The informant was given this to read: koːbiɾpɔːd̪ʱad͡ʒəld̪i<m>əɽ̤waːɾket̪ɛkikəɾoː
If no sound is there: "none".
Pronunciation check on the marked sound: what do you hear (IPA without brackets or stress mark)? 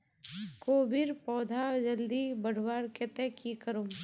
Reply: b